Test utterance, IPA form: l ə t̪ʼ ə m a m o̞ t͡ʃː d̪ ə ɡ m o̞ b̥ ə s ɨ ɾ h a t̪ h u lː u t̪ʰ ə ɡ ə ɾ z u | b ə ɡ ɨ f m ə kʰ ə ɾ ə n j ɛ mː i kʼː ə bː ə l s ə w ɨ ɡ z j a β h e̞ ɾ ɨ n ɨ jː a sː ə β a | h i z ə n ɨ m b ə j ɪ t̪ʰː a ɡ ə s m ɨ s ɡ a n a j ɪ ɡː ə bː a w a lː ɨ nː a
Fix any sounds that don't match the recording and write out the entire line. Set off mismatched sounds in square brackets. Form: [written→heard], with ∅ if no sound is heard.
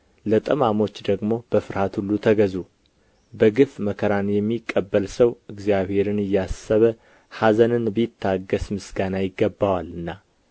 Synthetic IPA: l ə t̪ʼ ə m a m o̞ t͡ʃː d̪ ə ɡ m o̞ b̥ ə [s→f] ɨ ɾ h a t̪ h u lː u t̪ʰ ə ɡ ə [ɾ→∅] z u | b ə ɡ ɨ f m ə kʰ ə ɾ [ə→a] n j ɛ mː i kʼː ə bː ə l s ə w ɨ ɡ z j a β h e̞ ɾ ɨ n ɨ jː a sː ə β [a→ə] | h [i→a] z ə n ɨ [m→n] b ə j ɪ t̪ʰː a ɡ ə s m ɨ s ɡ a n a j ɪ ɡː ə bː a w a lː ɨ nː a